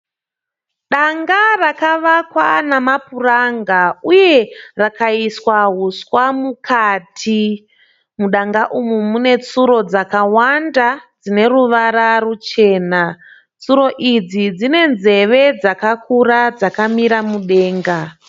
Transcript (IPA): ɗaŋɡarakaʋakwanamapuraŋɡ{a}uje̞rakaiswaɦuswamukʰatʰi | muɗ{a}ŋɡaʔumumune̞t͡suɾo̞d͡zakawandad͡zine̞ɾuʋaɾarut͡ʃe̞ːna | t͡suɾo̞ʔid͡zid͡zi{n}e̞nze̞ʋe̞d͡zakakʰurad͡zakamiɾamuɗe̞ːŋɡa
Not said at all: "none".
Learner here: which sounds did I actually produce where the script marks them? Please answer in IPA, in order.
a, a, n

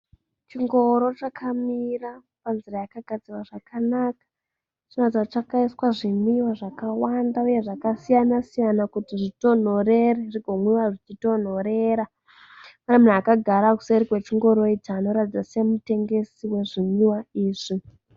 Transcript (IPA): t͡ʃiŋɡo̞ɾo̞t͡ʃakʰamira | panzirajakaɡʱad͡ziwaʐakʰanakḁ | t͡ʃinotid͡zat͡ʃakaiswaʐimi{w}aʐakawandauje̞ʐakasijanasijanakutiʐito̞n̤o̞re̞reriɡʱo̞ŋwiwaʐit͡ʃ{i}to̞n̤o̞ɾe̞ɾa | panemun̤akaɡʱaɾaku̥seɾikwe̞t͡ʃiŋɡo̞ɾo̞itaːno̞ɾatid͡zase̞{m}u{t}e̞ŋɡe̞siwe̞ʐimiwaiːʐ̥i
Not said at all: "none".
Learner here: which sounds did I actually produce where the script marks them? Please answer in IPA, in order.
w, i, m, t

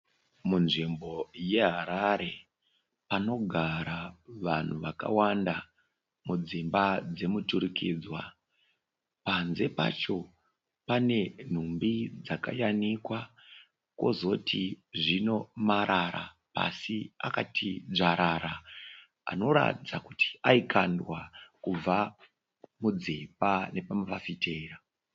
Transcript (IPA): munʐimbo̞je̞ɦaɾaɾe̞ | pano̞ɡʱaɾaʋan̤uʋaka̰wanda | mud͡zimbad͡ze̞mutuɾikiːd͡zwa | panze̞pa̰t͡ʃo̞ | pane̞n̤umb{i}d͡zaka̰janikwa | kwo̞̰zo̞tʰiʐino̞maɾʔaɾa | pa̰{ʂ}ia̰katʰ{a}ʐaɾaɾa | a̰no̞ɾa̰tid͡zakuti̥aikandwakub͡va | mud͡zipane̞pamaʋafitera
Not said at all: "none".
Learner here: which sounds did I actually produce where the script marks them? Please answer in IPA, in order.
i, s, i

